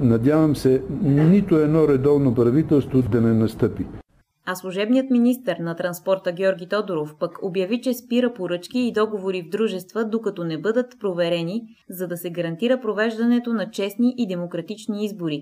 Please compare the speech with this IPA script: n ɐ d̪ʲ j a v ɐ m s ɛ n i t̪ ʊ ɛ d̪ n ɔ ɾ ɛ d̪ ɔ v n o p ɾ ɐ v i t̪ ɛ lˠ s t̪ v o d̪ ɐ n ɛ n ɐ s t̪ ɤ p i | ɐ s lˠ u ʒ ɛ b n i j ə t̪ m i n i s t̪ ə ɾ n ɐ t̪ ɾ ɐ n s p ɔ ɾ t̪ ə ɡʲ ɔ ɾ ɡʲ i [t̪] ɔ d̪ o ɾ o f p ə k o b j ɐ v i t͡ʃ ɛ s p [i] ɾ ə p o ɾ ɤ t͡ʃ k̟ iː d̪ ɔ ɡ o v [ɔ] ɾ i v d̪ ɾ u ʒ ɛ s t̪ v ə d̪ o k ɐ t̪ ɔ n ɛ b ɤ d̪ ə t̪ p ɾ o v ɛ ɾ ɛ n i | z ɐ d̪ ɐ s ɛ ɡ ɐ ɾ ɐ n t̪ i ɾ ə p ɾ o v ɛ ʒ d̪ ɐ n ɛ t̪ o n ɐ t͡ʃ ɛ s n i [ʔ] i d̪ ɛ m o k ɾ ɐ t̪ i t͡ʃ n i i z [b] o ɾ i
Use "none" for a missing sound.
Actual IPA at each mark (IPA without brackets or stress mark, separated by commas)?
t̪, i, o, ʔ, b